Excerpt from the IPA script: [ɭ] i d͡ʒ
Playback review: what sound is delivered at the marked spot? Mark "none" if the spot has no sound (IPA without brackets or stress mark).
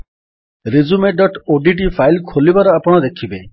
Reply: ɾ